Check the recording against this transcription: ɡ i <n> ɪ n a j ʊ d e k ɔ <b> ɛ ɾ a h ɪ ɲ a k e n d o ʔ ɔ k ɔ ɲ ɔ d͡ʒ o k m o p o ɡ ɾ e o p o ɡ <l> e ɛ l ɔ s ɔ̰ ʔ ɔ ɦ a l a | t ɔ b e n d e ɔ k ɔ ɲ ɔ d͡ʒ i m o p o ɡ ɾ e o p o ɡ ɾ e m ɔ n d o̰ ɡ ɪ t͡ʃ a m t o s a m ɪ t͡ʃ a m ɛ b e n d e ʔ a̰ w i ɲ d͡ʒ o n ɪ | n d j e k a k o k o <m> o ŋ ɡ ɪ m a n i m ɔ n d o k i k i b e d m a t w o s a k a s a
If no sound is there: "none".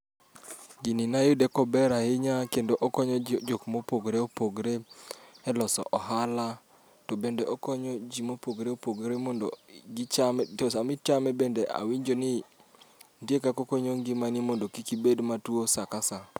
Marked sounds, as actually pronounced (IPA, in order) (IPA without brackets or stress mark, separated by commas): n, b, ɾ, ɲ